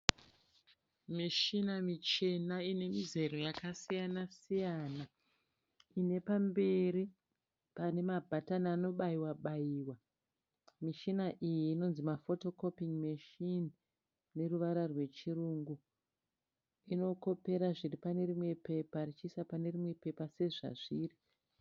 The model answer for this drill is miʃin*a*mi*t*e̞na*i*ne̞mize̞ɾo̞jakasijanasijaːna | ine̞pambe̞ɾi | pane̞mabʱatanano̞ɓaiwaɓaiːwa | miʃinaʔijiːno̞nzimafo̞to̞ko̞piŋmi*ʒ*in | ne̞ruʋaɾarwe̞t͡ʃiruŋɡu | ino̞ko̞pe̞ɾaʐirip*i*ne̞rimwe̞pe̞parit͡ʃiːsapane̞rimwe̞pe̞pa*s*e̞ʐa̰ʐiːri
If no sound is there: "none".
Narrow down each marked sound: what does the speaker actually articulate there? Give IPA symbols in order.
a, t͡ʃ, i, ʃ, a, s

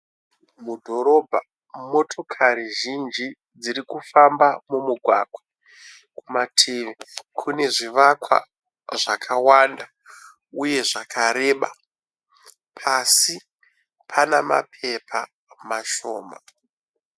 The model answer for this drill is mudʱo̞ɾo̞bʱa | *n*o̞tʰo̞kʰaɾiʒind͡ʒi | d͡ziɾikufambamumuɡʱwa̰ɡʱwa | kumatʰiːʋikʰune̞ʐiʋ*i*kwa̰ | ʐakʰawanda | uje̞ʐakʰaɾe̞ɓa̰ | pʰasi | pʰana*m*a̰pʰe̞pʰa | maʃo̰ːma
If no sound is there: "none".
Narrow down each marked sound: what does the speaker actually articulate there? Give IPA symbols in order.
m, a, m

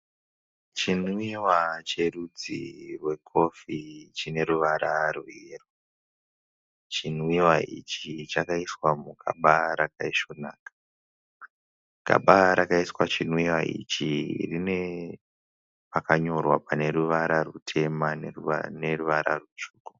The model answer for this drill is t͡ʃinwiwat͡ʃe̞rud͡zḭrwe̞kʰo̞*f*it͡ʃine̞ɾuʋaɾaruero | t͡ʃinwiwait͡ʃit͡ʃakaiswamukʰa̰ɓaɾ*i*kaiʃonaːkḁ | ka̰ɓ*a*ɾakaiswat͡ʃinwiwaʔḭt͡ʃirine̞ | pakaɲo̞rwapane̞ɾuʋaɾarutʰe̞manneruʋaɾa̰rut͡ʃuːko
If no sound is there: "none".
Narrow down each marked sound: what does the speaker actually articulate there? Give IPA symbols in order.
f, a, a

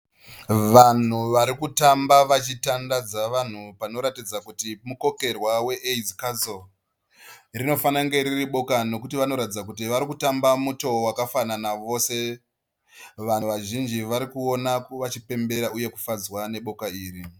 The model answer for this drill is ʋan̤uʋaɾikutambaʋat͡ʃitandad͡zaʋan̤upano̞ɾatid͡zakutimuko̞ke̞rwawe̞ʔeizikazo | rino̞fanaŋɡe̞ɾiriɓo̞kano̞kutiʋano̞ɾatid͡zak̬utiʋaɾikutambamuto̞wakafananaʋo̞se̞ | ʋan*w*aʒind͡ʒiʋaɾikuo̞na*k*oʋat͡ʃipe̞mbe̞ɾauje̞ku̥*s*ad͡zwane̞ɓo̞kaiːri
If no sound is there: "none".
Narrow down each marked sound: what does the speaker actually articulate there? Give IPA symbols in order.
ʋ, k, f

